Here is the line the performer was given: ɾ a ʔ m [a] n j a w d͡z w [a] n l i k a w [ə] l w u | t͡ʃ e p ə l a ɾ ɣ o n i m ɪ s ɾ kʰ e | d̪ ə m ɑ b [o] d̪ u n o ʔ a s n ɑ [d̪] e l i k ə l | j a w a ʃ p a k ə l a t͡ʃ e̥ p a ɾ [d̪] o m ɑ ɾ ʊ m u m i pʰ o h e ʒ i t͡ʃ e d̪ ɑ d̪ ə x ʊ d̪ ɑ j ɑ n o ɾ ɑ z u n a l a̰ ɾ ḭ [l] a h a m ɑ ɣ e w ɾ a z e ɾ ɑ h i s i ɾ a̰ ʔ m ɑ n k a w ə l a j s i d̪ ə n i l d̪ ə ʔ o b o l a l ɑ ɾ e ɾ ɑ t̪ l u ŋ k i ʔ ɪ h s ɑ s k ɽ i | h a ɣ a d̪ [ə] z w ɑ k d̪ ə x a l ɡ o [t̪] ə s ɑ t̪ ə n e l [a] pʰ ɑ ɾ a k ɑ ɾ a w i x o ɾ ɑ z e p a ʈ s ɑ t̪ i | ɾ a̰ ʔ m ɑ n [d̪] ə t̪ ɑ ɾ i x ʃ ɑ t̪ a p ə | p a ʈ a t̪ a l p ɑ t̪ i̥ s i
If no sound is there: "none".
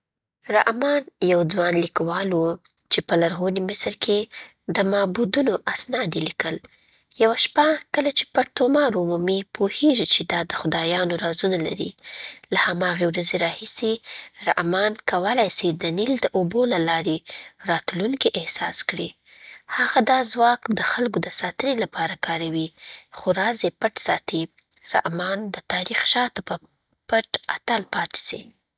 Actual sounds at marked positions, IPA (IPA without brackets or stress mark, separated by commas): ɑ, ɑ, ɑ, u, d̪, t̪, l, ɑ, d̪, a, d̪